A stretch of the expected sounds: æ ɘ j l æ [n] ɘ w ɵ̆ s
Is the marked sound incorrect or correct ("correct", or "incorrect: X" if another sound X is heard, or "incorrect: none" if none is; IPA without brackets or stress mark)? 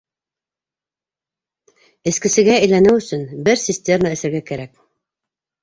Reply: correct